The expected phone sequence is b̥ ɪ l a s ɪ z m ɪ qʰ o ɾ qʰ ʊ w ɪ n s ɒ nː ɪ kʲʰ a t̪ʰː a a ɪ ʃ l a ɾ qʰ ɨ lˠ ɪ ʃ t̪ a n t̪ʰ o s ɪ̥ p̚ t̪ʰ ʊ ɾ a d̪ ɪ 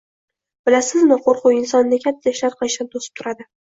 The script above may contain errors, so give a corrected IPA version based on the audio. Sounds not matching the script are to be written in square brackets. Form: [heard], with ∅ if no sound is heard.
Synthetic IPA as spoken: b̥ ɪ l a s ɪ z m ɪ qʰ o ɾ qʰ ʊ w ɪ n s ɒ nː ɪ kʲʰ a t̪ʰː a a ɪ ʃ l a ɾ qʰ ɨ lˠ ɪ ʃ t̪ a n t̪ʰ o s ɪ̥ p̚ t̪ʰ ʊ ɾ a d̪ ɪ